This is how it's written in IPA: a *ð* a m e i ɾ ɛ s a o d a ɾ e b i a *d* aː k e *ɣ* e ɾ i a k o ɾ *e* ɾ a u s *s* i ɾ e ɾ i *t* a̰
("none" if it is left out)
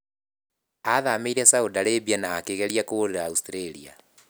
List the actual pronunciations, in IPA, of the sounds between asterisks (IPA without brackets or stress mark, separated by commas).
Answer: ð, n, ɣ, e, t, none